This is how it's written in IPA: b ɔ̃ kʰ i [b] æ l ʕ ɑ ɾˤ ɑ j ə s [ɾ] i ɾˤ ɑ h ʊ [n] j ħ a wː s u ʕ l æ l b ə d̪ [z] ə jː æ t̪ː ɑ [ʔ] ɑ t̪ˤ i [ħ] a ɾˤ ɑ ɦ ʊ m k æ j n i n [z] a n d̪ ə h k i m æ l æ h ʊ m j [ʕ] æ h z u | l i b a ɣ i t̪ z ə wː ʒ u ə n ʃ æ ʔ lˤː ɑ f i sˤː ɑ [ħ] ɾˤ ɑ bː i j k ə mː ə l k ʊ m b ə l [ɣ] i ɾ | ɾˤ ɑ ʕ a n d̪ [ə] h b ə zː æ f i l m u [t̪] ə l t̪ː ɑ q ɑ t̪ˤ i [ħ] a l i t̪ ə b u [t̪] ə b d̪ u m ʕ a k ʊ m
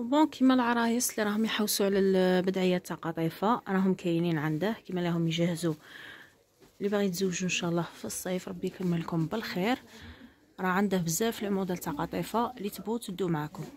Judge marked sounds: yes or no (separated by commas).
no, no, no, no, no, no, no, no, no, no, yes, no, no, yes